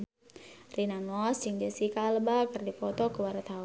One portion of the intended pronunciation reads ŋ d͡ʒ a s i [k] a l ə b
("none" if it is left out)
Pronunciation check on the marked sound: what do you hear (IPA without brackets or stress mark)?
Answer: k